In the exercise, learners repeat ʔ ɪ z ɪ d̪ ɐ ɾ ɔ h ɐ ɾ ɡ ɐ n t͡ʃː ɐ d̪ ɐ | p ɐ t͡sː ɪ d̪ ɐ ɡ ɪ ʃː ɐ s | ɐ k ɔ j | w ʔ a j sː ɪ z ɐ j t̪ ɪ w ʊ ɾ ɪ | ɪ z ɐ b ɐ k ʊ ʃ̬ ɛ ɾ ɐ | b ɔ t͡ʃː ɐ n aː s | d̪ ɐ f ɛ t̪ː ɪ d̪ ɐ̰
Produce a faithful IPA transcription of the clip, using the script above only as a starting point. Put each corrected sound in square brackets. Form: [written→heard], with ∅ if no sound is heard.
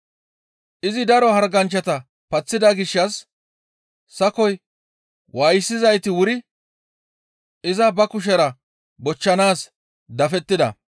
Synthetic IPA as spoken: ʔ ɪ z ɪ d̪ ɐ ɾ ɔ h ɐ ɾ ɡ ɐ n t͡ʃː ɐ [d̪→t̪] ɐ | p ɐ t͡sː ɪ d̪ ɐ ɡ ɪ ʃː ɐ s | ɐ k ɔ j | w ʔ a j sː ɪ z ɐ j t̪ ɪ w ʊ ɾ ɪ | ɪ z ɐ b ɐ k ʊ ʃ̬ ɛ ɾ ɐ | b ɔ t͡ʃː ɐ n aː s | d̪ ɐ f ɛ t̪ː ɪ d̪ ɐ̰

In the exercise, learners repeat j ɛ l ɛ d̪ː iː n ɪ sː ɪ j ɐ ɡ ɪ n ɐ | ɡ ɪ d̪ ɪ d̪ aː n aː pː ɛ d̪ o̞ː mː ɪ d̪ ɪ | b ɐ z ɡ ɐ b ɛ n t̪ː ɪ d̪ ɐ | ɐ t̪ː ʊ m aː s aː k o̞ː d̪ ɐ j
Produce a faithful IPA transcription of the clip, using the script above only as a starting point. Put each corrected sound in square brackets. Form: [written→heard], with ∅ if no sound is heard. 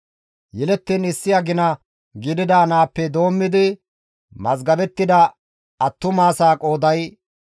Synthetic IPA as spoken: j ɛ l ɛ [d̪ː→t̪ː] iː n ɪ sː ɪ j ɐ ɡ ɪ n ɐ | ɡ ɪ d̪ ɪ d̪ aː n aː pː ɛ d̪ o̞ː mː ɪ d̪ ɪ | [b→m] ɐ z ɡ ɐ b ɛ [n→∅] t̪ː ɪ d̪ ɐ | ɐ t̪ː ʊ m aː s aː [k→kʼ] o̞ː d̪ ɐ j

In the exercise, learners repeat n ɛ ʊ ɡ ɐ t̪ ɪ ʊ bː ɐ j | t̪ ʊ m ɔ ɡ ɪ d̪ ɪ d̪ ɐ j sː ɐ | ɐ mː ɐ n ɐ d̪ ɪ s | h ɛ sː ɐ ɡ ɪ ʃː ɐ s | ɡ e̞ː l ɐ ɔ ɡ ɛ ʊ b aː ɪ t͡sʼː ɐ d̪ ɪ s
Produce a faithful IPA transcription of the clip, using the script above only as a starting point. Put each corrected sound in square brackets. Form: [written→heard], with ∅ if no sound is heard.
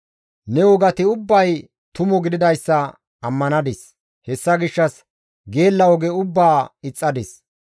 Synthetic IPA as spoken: n ɛ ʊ ɡ ɐ t̪ ɪ ʊ bː ɐ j | t̪ ʊ m ɔ ɡ ɪ d̪ ɪ d̪ ɐ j sː ɐ | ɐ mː ɐ n ɐ d̪ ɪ s | h ɛ sː ɐ ɡ ɪ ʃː ɐ s | ɡ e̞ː [l→lː] ɐ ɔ ɡ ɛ ʊ [b→bː] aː ɪ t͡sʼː ɐ d̪ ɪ s

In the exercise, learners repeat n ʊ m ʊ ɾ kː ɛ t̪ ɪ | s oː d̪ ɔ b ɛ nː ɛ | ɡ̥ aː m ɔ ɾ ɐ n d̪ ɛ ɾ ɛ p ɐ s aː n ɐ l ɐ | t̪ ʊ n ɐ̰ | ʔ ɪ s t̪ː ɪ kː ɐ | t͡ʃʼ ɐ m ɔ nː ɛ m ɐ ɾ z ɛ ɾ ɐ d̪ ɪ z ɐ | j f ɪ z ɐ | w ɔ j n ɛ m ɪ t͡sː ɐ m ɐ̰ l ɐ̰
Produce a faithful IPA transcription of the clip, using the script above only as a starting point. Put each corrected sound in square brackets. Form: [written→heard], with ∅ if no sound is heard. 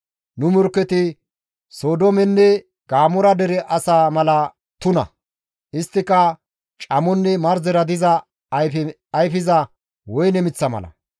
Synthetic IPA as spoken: n ʊ m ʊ ɾ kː ɛ t̪ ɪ | s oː d̪ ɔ [b→m] ɛ nː ɛ | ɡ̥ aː m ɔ ɾ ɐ [n→∅] d̪ ɛ ɾ ɛ [p→ʔ] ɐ s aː [n→m] ɐ l ɐ | t̪ ʊ n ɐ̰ | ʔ ɪ s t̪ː ɪ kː ɐ | t͡ʃʼ ɐ m ɔ nː ɛ m ɐ ɾ z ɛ ɾ ɐ d̪ ɪ z ɐ | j f ɪ z ɐ | w ɔ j n ɛ m ɪ t͡sː ɐ m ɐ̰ l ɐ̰

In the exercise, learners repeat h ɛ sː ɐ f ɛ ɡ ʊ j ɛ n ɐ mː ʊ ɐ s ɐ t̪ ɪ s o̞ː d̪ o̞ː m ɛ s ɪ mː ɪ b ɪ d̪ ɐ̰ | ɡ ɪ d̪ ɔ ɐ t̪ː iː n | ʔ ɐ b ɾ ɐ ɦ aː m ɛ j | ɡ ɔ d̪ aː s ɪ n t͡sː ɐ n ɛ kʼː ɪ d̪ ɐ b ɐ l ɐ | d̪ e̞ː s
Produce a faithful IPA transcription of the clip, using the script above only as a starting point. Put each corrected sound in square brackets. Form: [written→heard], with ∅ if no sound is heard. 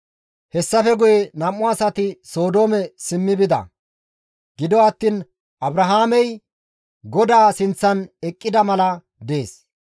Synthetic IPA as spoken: h ɛ sː ɐ f ɛ ɡ ʊ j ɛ n ɐ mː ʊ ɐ s ɐ t̪ ɪ s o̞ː d̪ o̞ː m ɛ s ɪ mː ɪ b ɪ d̪ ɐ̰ | ɡ ɪ d̪ ɔ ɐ t̪ː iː n | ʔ ɐ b ɾ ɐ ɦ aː m ɛ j | ɡ ɔ d̪ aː s ɪ n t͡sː ɐ n ɛ kʼː ɪ d̪ ɐ [b→m] ɐ l ɐ | d̪ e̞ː s

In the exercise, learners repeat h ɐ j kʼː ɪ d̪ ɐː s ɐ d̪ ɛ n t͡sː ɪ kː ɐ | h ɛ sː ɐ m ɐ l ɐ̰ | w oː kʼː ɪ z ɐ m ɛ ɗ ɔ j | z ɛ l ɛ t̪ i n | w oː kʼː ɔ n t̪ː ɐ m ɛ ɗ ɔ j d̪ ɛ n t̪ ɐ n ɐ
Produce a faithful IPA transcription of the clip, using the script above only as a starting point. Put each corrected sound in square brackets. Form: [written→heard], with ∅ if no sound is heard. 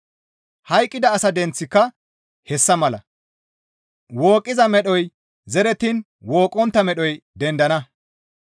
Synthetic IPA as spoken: h ɐ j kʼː ɪ d̪ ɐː s ɐ d̪ ɛ n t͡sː ɪ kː ɐ | h ɛ sː ɐ m ɐ l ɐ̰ | w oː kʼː ɪ z ɐ m ɛ ɗ ɔ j | z ɛ [l→ɾ] ɛ t̪ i n | w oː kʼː ɔ n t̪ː ɐ m ɛ ɗ ɔ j d̪ ɛ n [t̪→d̪] ɐ n ɐ

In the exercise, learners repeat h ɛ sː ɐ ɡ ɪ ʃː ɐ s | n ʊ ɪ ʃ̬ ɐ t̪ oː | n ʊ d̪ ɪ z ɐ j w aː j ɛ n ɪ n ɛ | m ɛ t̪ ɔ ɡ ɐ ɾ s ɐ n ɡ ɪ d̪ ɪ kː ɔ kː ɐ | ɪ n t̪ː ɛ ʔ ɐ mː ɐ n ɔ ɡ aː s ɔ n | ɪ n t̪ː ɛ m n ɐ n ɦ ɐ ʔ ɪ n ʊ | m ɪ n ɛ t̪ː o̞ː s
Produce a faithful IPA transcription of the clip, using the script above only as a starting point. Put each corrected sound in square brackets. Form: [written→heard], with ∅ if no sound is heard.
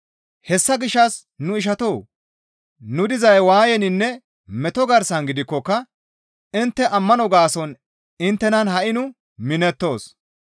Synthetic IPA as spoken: h ɛ sː ɐ ɡ ɪ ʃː ɐ s | n ʊ ɪ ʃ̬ ɐ t̪ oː | n ʊ d̪ ɪ z ɐ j w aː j ɛ n ɪ [n→nː] ɛ | m ɛ t̪ ɔ ɡ ɐ ɾ s ɐ n ɡ ɪ d̪ ɪ kː ɔ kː ɐ | ɪ n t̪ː ɛ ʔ ɐ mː ɐ n ɔ ɡ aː s ɔ n | ɪ n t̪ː ɛ [m→∅] n ɐ n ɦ ɐ ʔ ɪ n ʊ | m ɪ n ɛ t̪ː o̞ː s

